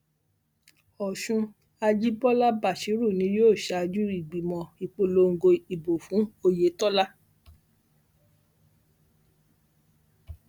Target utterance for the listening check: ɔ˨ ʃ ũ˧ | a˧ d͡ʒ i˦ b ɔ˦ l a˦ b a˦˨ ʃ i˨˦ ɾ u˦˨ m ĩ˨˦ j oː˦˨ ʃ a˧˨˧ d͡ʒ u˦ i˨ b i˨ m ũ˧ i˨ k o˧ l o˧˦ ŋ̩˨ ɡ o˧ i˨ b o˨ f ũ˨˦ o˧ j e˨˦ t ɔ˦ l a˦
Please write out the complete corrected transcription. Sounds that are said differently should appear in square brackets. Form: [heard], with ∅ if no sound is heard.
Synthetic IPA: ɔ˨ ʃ ũ˧ | a˧ d͡ʒ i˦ b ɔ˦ l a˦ b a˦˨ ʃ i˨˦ ɾ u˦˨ [n] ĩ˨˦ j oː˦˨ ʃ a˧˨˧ d͡ʒ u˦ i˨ [ɡ͡b] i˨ m [ɔ̃˧] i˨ [k͡p] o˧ l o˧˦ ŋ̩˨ ɡ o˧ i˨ b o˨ f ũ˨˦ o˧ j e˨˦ t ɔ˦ l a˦